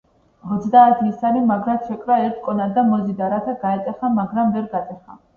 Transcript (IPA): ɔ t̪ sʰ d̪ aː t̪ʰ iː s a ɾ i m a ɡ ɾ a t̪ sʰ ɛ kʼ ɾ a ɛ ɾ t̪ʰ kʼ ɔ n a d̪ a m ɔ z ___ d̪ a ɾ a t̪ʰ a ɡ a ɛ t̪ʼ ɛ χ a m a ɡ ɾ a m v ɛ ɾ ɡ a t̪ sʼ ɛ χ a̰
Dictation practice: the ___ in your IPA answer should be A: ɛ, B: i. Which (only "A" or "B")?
B